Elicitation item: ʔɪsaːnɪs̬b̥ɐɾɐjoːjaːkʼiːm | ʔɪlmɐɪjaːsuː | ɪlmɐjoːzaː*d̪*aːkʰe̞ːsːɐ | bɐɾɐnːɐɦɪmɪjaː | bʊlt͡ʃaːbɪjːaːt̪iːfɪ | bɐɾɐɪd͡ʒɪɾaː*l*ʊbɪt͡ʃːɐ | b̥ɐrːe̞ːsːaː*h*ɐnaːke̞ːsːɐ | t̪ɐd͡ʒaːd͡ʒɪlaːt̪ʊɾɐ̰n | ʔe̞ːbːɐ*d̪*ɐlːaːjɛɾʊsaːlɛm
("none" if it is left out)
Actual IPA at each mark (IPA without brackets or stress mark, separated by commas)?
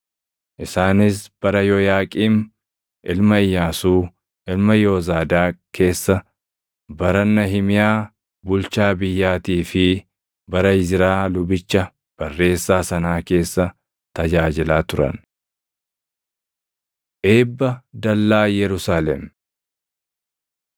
d̪, l, s, d̪